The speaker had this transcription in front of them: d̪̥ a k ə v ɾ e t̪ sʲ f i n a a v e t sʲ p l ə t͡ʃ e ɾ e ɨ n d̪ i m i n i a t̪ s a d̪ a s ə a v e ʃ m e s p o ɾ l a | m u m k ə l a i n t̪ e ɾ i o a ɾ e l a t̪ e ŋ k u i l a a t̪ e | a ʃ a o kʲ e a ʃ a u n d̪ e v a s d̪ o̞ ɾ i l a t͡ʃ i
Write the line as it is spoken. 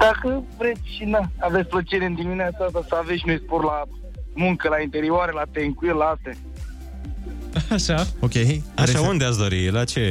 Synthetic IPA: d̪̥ a k ə v ɾ e t̪ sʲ ʃ i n a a v e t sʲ p l ə t͡ʃ e ɾ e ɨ n d̪ i m i n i a t̪ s a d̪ a s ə a v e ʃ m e s p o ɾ l a | m u ŋ k ə l a i n t̪ e ɾ i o a ɾ e l a t̪ e ŋ k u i l a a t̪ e | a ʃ a o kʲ e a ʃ a u n d̪ e a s d̪ o̞ ɾ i l a t͡ʃ e